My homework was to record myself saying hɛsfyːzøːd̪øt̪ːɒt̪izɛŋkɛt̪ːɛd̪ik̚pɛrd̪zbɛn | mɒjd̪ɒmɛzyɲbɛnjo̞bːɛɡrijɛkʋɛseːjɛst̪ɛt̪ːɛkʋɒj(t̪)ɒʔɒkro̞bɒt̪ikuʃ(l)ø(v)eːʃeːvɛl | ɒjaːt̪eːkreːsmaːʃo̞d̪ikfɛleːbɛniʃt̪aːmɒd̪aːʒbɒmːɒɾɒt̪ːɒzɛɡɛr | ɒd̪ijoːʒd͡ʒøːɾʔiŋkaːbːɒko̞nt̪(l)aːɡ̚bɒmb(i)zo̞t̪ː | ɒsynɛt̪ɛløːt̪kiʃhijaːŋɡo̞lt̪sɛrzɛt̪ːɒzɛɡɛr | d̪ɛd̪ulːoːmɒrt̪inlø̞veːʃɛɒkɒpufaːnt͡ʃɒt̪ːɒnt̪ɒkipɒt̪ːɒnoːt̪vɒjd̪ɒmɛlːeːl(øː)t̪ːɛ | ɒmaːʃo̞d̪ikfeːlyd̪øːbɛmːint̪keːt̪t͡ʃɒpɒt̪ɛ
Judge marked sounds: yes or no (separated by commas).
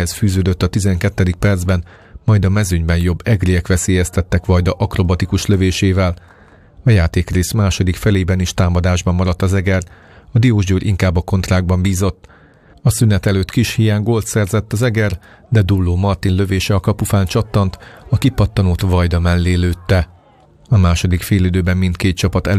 no, yes, yes, no, no, yes